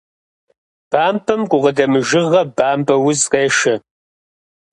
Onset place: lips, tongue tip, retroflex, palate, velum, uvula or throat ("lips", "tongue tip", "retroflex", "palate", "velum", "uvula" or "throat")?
lips